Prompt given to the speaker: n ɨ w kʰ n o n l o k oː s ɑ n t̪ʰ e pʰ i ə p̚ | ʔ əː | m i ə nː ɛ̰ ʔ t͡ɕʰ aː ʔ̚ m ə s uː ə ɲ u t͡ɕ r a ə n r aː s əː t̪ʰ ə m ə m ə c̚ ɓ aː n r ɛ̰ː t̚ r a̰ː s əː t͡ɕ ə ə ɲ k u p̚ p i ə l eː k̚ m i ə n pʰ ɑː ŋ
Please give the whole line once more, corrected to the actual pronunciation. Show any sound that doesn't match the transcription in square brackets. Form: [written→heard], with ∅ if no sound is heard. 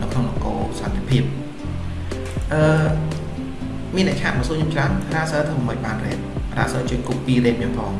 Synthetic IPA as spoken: n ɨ w kʰ n o [n→ŋ] l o k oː s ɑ n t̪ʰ e pʰ i ə p̚ | ʔ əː | m i ə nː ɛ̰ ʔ t͡ɕʰ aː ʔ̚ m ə s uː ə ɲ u t͡ɕ r a ə n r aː s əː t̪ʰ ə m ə m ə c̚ ɓ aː n r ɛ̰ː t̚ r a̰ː s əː t͡ɕ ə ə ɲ k u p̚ p i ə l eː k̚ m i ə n pʰ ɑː ŋ